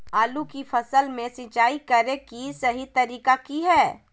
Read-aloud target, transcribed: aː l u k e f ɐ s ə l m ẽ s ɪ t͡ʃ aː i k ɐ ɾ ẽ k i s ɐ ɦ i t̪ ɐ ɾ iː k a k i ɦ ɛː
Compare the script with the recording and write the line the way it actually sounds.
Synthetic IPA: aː l u k i f ɐ s ə l m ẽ s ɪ t͡ʃ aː i k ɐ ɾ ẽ k i s ɐ ɦ i t̪ ɐ ɾ iː k a k i ɦ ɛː